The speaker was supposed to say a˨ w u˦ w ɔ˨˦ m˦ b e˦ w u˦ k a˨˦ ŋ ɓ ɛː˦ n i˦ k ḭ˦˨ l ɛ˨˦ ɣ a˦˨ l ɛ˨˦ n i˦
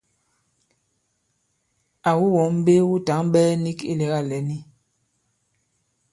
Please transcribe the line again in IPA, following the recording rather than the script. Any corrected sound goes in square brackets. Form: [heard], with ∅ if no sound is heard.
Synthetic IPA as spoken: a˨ w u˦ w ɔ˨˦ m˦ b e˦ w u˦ [t] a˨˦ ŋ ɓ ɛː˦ n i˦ k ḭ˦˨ l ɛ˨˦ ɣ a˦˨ l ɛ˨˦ n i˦